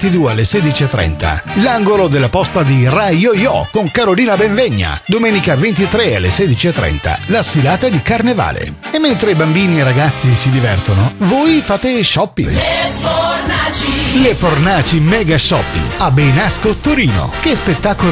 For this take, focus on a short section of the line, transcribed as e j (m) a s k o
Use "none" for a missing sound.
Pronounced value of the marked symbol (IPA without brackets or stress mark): n